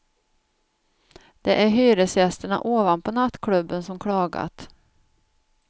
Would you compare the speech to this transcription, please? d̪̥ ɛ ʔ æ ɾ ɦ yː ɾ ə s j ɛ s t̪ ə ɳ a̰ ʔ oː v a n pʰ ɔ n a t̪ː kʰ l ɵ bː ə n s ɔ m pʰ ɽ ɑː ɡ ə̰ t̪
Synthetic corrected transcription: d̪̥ ɛ ʔ æ ɾ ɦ yː ɾ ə s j ɛ s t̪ ə ɳ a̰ ʔ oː v a n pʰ ɔ n a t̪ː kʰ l ɵ bː ə n s ɔ m kʰ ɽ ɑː ɡ a̰ t̪